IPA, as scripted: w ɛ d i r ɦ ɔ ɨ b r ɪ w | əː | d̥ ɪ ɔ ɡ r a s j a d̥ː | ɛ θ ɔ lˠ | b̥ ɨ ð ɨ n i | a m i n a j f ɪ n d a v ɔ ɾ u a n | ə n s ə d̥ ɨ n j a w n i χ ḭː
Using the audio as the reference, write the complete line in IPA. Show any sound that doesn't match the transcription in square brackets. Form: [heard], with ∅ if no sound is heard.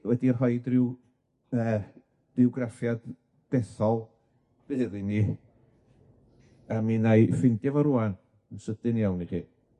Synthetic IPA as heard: w ɛ d i r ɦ ɔ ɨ [d] r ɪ w | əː | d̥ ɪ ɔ ɡ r a [f] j a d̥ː | ɛ θ ɔ lˠ | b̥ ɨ ð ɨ n i | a m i n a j f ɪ n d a v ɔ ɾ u a n | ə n s ə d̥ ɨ n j a w n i χ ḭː